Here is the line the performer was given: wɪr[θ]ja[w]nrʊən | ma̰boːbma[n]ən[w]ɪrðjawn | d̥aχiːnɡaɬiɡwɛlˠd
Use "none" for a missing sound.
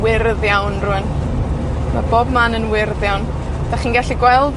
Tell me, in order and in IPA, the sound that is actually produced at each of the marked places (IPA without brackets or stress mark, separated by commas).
ð, w, n, w